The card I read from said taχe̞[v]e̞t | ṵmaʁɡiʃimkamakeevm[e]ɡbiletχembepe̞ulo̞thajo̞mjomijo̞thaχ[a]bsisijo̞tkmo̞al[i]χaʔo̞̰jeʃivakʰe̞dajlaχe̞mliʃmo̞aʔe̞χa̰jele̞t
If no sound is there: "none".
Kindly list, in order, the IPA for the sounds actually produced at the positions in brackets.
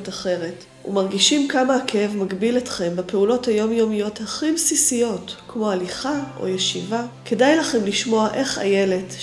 ʁ, a, i, i

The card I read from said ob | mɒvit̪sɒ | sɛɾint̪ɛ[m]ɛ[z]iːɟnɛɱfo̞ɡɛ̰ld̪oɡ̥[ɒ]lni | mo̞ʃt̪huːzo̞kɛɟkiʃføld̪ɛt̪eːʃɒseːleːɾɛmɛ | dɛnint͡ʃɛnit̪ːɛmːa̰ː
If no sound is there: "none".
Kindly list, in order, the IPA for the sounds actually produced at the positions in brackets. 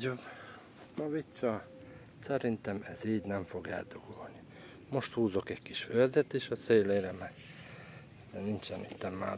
m, z, o

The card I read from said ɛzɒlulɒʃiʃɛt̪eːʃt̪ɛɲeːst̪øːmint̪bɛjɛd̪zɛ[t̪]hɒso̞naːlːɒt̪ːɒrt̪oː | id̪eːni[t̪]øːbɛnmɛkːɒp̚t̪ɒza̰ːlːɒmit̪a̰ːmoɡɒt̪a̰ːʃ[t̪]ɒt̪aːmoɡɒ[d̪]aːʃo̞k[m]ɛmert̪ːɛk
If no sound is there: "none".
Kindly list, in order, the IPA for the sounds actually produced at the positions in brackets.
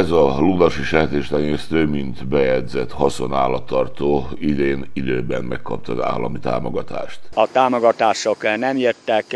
t̪, d̪, t̪, t̪, n

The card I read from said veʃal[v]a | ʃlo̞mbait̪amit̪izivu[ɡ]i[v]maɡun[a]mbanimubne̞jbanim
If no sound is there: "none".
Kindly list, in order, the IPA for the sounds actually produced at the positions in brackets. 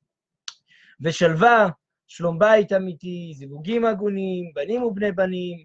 v, ɡ, none, i

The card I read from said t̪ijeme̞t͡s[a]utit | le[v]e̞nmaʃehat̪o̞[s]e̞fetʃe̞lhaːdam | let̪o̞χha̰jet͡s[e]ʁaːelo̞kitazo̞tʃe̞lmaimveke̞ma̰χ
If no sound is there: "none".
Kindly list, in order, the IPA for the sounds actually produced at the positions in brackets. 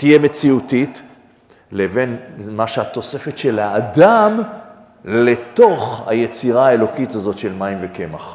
i, v, s, i

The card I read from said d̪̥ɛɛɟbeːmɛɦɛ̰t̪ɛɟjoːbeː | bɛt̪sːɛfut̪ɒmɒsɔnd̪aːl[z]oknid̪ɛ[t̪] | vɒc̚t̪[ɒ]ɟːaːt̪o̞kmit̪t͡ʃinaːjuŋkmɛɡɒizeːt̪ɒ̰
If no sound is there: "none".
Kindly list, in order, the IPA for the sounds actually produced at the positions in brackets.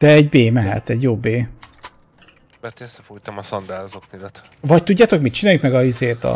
z, t̪, u

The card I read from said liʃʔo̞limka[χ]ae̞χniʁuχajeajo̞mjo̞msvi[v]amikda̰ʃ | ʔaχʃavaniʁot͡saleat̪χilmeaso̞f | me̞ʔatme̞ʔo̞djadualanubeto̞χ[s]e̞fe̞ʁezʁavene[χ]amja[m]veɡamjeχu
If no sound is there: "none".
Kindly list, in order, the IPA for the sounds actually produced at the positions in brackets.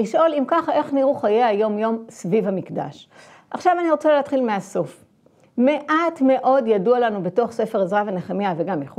χ, v, s, χ, none

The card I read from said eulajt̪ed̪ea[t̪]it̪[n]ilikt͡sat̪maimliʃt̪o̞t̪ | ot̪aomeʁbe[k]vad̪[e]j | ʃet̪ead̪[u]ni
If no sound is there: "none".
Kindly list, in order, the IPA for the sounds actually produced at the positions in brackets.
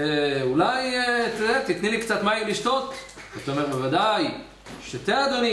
t̪, n, none, a, o

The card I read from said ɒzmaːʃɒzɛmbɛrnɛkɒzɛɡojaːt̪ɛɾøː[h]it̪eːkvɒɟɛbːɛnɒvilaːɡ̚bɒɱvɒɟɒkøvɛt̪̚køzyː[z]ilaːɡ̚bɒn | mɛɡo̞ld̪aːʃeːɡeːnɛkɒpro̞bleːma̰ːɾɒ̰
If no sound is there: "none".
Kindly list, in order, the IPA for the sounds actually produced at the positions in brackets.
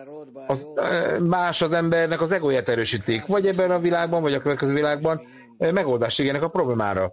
ʃ, v

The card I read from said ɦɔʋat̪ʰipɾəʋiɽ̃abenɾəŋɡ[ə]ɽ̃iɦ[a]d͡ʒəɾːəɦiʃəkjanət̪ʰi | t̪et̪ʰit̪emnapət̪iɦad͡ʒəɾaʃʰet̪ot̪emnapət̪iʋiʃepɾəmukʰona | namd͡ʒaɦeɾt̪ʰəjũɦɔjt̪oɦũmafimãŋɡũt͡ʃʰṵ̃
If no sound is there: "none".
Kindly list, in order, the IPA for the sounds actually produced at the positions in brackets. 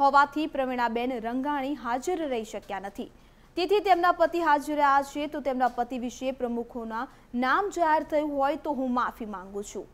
a, a

